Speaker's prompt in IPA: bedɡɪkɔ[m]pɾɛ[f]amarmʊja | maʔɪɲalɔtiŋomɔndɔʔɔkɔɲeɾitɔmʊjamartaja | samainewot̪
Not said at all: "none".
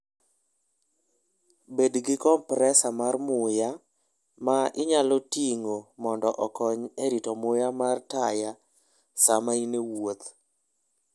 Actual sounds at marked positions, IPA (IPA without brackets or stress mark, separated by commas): m, s